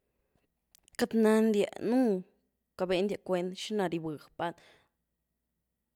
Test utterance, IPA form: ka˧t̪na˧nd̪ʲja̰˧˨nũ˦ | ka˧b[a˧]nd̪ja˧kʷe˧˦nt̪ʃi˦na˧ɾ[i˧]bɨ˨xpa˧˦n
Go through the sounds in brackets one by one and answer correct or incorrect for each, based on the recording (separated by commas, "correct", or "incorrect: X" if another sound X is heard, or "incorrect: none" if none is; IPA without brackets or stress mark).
incorrect: e˧, correct